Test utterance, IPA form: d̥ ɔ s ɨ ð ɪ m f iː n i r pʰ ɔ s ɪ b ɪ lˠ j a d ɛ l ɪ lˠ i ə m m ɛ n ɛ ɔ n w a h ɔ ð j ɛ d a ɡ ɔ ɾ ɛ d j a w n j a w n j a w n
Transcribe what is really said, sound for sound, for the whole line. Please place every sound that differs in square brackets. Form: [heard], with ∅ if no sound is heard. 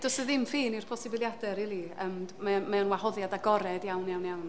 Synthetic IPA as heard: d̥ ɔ s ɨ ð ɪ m f iː n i r pʰ ɔ s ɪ b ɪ lˠ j a d ɛ [ɾ] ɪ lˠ i ə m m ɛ [m] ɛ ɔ n w a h ɔ ð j [a] d a ɡ ɔ ɾ ɛ d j a w n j a w n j a w n